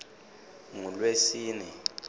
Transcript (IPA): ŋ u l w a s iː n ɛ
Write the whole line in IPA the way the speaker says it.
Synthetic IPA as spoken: ŋ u l w e s iː n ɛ